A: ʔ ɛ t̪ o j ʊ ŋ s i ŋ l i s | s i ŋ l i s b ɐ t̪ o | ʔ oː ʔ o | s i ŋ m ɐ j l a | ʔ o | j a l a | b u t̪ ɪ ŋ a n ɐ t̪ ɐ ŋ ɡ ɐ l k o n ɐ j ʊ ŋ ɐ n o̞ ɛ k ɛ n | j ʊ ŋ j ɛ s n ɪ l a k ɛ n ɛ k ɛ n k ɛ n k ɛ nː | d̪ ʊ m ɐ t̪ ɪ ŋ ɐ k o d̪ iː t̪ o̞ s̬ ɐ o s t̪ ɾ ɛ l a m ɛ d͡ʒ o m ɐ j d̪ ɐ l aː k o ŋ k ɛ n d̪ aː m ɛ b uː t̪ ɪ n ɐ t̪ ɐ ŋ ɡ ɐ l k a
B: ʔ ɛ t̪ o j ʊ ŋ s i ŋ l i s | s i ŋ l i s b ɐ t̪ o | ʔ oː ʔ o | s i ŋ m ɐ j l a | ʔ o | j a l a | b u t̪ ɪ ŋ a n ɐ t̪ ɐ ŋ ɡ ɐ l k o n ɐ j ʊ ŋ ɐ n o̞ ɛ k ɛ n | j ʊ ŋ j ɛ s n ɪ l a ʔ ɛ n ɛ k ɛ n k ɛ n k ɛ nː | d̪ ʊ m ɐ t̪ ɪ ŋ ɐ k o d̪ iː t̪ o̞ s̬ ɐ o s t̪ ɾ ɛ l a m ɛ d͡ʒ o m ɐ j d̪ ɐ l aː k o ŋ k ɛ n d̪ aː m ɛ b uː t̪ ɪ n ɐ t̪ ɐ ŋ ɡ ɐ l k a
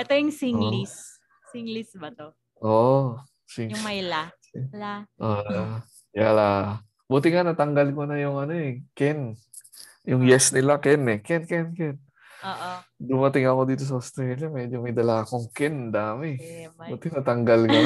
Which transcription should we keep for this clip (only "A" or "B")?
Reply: A